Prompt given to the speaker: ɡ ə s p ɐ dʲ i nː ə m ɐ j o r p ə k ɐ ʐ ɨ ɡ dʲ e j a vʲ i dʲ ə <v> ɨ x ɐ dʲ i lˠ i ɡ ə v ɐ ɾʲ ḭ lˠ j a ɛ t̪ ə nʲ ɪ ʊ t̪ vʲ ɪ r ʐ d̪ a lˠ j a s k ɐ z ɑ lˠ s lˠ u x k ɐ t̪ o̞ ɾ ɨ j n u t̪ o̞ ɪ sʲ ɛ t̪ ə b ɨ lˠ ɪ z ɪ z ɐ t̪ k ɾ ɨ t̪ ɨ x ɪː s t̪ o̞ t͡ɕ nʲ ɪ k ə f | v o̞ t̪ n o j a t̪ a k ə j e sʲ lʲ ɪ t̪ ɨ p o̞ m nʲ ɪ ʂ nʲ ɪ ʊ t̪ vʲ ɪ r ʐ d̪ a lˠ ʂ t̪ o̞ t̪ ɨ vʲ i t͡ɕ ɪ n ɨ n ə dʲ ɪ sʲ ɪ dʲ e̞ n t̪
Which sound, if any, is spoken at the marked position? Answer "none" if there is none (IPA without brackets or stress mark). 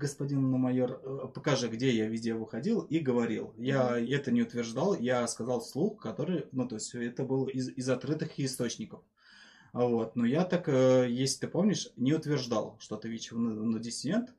v